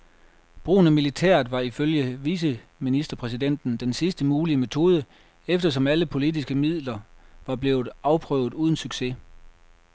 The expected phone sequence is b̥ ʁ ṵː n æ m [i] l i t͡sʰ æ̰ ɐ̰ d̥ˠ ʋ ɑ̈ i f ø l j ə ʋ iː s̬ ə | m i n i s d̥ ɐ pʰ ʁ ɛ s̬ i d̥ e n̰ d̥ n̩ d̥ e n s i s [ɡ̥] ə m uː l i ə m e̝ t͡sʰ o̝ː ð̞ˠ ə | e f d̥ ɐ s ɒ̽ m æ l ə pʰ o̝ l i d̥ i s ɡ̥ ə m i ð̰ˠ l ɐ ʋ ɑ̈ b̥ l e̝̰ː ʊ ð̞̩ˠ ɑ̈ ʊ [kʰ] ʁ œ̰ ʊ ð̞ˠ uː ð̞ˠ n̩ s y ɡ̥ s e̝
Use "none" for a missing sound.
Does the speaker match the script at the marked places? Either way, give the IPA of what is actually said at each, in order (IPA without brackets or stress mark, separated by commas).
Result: i, d̥, pʰ